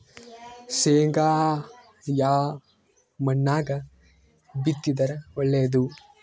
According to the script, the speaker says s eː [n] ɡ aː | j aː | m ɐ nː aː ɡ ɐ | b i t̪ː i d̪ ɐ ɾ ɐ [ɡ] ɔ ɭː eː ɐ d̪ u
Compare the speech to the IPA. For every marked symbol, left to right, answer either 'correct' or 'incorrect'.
incorrect, incorrect

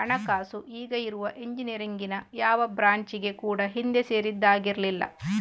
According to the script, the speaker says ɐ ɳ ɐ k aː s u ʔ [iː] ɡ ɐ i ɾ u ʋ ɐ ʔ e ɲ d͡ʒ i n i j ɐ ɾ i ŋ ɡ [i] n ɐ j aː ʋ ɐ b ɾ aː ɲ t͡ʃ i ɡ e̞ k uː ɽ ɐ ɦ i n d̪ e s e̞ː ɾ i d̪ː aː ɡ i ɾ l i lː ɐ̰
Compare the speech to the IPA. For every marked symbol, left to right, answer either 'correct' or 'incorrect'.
correct, correct

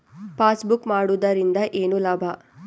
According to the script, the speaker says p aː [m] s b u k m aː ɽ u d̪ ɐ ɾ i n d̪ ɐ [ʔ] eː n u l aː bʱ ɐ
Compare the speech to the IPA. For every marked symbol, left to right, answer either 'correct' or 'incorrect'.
incorrect, correct

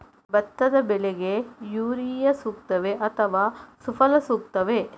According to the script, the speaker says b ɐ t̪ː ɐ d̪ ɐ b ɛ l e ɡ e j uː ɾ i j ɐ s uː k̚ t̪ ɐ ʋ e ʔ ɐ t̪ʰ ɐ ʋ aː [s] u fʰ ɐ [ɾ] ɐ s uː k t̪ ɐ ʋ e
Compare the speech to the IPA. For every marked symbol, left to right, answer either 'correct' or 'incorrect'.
correct, incorrect

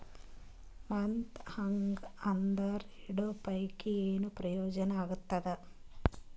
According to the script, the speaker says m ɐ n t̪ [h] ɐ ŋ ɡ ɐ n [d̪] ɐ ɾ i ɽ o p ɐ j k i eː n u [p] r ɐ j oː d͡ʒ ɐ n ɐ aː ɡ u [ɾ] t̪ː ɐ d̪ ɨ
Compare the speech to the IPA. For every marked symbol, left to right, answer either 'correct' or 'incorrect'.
correct, correct, correct, incorrect

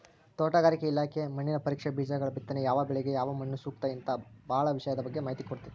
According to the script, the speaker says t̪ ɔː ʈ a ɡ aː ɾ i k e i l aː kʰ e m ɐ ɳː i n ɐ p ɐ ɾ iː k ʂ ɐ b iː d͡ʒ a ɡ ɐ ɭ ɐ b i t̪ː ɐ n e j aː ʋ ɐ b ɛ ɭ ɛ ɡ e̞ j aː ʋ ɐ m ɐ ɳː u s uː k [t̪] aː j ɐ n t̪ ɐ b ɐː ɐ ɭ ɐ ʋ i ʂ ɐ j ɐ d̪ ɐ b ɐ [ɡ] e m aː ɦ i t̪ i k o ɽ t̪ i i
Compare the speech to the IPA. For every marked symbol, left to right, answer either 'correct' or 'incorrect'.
correct, incorrect

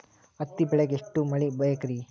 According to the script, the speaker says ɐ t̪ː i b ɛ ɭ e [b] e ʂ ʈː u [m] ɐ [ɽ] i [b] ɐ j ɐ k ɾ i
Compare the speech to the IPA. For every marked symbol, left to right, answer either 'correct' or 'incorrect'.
incorrect, correct, incorrect, correct

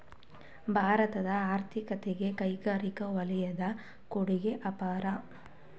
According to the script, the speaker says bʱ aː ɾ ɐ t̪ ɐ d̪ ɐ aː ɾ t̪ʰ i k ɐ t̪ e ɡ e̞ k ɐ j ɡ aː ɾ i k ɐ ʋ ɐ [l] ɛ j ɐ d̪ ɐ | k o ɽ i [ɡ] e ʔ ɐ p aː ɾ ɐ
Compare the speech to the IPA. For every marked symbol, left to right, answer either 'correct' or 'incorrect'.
correct, correct

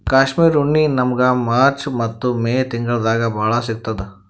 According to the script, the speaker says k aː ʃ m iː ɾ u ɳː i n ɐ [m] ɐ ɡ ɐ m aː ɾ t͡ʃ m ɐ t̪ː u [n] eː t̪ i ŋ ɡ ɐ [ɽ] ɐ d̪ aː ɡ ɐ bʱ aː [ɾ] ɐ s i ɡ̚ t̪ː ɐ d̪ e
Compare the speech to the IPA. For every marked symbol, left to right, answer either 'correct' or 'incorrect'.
correct, incorrect, incorrect, incorrect

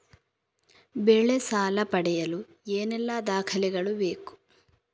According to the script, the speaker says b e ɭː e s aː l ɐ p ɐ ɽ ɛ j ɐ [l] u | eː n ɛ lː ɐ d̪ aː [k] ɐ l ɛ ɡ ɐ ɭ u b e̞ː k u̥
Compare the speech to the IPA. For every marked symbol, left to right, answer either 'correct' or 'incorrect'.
correct, incorrect

